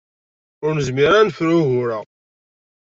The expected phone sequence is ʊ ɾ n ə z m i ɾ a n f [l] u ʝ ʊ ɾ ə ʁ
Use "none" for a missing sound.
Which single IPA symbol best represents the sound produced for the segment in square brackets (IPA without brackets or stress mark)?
ɾ